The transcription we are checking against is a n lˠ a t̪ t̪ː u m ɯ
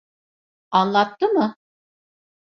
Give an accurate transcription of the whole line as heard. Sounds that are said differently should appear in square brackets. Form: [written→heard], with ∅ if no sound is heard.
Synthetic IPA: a n lˠ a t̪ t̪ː [u→ɯ] m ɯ